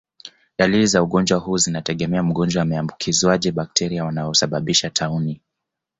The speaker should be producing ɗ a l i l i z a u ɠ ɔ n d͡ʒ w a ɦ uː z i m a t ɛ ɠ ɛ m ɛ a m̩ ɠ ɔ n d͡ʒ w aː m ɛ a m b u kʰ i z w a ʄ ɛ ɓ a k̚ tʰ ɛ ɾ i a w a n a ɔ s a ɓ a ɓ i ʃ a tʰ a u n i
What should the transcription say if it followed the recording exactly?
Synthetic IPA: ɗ a l i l i z a u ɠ ɔ n d͡ʒ w a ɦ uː z i n a t ɛ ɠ ɛ m ɛ a m̩ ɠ ɔ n d͡ʒ w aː m ɛ a m b u kʰ i z w a ʄ ɛ ɓ a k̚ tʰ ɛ ɾ i a w a n a ɔ s a ɓ a ɓ i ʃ a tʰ a u n i

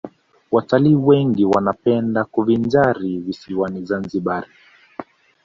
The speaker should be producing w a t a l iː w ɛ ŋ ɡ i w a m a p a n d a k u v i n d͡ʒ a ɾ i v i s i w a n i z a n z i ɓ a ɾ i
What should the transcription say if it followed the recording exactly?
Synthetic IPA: w a t a l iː w ɛ ŋ ɡ i w a n a p ɛ n d a k u v i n d͡ʒ a ɾ i v i s i w a n i z a n z i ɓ a ɾ i

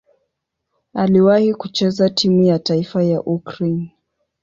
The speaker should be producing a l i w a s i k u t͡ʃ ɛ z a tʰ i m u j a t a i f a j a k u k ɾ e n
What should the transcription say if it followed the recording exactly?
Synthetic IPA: a l i w a h i k u t͡ʃ ɛ z a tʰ i m u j a t a i f a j a ʔ u k ɾ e n

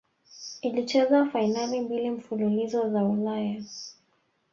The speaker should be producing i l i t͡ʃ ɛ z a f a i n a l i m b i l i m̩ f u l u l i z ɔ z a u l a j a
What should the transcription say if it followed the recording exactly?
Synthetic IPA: i l i t͡ʃ ɛ z a f a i n a l i m b i l i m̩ f u l u l i z ɔ z a u l a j a

